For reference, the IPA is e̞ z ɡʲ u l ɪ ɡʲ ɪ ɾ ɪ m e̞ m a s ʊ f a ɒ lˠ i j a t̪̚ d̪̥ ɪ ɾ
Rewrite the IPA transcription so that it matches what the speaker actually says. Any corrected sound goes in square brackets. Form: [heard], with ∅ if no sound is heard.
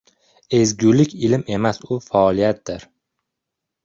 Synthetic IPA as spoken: e̞ z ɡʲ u l ɪ [kʲ] ɪ [l] ɪ m e̞ m a s ʊ f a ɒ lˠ i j a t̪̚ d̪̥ ɪ ɾ